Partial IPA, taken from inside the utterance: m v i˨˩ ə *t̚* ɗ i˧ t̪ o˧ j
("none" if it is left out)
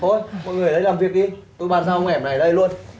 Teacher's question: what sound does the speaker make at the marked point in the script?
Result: k̚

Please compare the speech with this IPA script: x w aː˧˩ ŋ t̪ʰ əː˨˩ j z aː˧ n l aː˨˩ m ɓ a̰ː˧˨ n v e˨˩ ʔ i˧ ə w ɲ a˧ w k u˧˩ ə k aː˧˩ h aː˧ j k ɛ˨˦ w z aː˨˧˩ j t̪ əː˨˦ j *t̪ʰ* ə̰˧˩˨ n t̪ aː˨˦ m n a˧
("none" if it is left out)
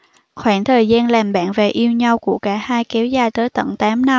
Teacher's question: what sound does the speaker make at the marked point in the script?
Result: t̪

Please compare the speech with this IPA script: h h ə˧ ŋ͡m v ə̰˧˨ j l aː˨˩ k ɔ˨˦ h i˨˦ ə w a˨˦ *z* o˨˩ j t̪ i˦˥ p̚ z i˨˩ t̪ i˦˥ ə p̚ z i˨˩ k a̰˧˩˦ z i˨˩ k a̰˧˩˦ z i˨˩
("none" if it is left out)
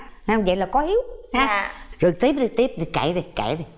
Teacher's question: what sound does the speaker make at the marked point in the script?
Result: z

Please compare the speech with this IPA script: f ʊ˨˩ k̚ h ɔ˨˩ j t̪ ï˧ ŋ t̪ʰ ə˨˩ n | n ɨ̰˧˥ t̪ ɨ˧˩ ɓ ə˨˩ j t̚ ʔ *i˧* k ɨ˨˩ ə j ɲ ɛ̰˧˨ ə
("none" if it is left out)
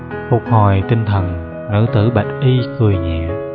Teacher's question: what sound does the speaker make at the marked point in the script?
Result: i˧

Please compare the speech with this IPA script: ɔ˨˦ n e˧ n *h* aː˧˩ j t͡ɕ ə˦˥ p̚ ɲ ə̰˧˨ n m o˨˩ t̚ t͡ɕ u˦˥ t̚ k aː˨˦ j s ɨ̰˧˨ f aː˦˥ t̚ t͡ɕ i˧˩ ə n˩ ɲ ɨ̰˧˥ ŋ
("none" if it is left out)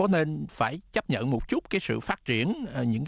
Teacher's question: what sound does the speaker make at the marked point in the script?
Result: f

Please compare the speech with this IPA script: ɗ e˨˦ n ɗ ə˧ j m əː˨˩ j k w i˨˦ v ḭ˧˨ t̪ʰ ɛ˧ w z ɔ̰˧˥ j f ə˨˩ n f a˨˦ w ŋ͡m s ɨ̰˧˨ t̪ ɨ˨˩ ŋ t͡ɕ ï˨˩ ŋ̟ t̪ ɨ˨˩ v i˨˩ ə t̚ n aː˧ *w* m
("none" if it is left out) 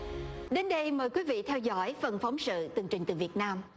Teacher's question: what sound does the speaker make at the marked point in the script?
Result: none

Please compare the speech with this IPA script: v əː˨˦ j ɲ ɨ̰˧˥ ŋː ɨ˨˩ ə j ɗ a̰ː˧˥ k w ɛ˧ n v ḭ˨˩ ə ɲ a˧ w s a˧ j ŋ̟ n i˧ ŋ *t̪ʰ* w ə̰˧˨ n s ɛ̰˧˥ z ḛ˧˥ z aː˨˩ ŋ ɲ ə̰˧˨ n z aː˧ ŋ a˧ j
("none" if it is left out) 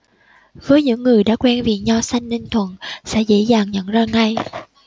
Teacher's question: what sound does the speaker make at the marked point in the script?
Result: t̪ʰ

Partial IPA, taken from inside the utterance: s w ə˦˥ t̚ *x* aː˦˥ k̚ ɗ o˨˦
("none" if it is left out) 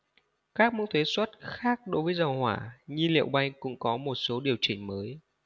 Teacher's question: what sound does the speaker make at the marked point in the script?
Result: x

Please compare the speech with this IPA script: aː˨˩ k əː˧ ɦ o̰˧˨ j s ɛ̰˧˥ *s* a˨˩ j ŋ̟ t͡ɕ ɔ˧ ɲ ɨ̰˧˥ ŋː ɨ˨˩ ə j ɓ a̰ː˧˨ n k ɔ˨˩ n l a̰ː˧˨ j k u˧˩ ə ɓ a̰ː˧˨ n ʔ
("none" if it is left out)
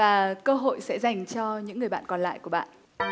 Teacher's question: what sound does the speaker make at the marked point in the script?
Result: z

